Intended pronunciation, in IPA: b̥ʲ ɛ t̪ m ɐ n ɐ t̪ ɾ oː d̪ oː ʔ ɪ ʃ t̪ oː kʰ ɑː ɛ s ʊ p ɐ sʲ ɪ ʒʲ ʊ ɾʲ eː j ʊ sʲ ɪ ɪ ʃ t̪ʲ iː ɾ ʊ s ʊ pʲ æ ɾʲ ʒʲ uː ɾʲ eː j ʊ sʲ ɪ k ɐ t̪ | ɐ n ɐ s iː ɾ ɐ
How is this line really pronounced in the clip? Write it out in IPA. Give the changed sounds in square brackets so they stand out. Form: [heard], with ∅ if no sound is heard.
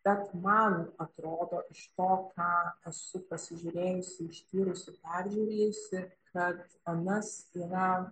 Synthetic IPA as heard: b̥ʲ ɛ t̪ m ɐ n ɐ t̪ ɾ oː d̪ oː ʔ ɪ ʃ t̪ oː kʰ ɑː ɛ s ʊ p ɐ sʲ ɪ ʒʲ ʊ ɾʲ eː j ʊ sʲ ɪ ɪ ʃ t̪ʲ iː ɾ ʊ s ʊ pʲ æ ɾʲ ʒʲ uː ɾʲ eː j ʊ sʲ ɪ k ɐ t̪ | ɐ n ɐ s iː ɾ ɐ